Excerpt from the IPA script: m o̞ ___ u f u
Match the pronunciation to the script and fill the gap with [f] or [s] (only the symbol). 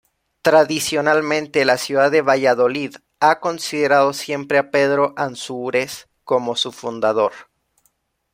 s